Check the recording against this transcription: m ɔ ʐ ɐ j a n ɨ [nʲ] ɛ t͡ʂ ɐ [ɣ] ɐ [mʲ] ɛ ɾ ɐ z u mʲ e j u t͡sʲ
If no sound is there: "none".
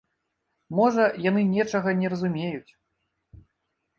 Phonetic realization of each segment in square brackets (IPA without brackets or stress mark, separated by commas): nʲ, ɣ, nʲ